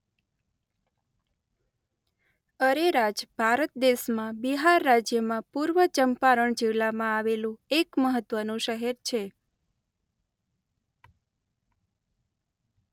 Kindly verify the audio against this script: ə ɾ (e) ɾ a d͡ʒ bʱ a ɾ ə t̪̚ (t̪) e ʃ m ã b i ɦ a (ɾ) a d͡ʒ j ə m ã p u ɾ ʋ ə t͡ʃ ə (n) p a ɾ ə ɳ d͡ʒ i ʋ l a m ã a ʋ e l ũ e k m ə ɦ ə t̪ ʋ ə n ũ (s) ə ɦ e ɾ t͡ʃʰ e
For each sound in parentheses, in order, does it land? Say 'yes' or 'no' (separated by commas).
yes, no, no, no, no